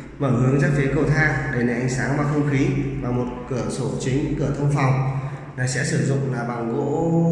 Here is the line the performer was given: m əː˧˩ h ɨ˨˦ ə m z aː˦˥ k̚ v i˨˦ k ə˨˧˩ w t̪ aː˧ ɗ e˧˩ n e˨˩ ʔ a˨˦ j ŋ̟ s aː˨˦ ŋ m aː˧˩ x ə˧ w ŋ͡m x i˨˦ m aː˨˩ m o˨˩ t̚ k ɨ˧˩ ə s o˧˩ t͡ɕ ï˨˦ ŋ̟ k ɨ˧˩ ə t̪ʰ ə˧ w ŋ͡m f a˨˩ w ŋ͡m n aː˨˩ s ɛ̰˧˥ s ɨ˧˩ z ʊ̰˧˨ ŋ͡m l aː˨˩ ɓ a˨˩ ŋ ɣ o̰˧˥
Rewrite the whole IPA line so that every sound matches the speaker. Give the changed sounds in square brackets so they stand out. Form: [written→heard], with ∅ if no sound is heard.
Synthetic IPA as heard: m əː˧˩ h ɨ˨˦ ə [m→ŋ] z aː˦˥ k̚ [v→f] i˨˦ k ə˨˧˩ w [t̪→t̪ʰ] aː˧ ɗ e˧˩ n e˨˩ ʔ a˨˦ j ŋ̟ s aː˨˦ ŋ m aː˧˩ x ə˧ w ŋ͡m x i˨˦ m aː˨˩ m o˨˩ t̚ k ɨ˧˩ ə s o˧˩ t͡ɕ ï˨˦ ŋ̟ k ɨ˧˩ ə t̪ʰ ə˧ w ŋ͡m f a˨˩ w ŋ͡m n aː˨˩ s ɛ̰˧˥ s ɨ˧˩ z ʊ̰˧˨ ŋ͡m l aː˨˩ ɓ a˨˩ ŋ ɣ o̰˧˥

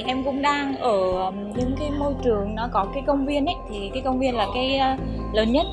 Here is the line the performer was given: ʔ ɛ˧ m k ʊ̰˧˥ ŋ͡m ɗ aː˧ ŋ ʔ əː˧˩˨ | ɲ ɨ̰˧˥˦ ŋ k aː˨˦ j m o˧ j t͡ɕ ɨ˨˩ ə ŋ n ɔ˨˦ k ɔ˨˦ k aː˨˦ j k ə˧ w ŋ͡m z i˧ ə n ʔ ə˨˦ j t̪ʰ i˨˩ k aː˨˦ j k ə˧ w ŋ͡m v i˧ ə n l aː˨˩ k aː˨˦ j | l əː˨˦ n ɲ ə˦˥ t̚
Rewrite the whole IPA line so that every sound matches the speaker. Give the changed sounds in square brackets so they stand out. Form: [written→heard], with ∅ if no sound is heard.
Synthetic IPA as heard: ʔ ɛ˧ m k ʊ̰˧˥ ŋ͡m ɗ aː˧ ŋ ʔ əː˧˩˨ | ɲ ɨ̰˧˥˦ ŋ k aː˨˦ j m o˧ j t͡ɕ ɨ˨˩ ə ŋ n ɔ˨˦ k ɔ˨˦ k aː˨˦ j k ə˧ w ŋ͡m [z→v] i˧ ə n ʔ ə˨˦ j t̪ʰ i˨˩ k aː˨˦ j k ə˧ w ŋ͡m v i˧ ə n l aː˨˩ k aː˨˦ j | l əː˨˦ n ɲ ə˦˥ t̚

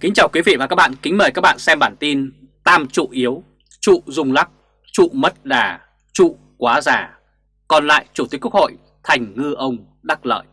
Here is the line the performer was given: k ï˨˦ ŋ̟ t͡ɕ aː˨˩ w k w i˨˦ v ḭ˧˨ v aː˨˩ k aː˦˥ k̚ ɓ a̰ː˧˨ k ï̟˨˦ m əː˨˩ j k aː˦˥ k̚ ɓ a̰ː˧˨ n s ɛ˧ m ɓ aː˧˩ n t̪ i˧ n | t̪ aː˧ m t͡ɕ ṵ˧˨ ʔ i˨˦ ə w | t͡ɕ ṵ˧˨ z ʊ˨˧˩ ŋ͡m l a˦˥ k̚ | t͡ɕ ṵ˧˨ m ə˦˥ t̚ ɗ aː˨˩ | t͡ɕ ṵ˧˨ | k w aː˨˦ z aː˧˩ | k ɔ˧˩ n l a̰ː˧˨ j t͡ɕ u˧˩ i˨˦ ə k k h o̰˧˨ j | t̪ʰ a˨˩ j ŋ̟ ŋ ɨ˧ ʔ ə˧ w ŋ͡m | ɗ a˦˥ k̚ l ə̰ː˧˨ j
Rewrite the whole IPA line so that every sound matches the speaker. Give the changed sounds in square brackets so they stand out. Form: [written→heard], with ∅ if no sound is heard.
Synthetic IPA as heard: k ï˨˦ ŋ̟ t͡ɕ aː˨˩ w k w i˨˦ v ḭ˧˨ v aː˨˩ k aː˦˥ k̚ ɓ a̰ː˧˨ k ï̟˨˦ m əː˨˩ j k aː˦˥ k̚ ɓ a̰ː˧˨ n s ɛ˧ m ɓ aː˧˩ n t̪ i˧ n | t̪ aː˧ m t͡ɕ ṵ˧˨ ʔ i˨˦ ə w | t͡ɕ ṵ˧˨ z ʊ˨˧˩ ŋ͡m l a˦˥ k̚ | t͡ɕ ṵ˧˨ m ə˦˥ t̚ ɗ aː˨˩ | t͡ɕ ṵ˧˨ | k w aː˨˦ z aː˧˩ | k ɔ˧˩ n l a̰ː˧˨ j t͡ɕ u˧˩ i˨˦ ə k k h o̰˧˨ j | t̪ʰ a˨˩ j ŋ̟ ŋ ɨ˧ ʔ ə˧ w ŋ͡m | ɗ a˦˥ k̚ l ə̰ː˧˨ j

